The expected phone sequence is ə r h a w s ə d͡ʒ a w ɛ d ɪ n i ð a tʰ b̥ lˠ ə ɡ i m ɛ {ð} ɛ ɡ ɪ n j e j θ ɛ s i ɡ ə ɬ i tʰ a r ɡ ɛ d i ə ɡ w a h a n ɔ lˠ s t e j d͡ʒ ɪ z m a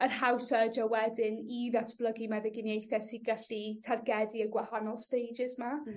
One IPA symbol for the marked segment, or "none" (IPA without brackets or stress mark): ð